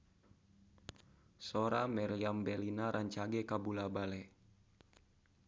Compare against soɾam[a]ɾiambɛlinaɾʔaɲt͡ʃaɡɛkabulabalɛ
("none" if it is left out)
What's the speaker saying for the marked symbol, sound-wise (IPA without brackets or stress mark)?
ɛ